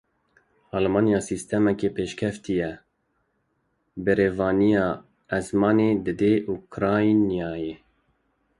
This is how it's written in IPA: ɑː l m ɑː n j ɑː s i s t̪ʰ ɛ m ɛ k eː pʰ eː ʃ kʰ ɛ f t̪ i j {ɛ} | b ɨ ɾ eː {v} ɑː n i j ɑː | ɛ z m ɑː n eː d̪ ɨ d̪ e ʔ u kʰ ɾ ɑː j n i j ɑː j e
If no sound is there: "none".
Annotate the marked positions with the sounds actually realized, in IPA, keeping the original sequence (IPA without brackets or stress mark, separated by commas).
ɛ, v